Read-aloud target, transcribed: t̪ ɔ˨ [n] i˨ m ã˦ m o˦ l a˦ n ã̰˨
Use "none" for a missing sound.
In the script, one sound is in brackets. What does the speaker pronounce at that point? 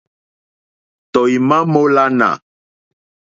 none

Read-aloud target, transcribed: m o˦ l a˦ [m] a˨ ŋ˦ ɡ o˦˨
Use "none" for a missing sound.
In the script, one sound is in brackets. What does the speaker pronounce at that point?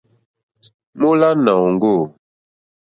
n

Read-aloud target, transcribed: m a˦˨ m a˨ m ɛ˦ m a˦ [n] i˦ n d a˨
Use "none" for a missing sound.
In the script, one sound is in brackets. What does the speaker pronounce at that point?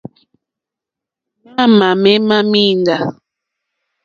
m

